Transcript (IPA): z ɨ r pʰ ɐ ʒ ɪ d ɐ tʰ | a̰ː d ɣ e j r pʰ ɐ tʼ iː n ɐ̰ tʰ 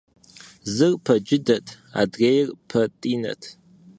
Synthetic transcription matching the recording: z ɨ r pʰ ɐ d͡ʒ ɪ d ɐ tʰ | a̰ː d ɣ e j r pʰ ɐ tʼ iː n ɐ̰ tʰ